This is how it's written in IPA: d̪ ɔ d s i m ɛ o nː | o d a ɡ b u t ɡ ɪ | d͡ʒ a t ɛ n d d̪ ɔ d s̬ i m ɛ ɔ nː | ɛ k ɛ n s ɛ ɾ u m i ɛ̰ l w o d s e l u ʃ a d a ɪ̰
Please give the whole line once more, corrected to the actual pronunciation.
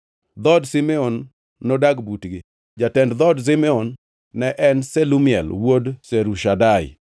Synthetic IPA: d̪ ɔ d s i m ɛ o nː | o d a ɡ b u t ɡ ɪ | d͡ʒ a t ɛ n d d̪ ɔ d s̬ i m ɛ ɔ nː | ɛ ʔ ɛ n s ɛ l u m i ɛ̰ l w o d s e ɾ u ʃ a d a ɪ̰